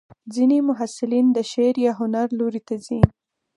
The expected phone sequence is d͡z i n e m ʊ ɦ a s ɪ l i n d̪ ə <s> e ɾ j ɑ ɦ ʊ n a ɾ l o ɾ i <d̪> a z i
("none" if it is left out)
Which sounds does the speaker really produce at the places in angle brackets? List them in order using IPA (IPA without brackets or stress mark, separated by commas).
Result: ʃ, t̪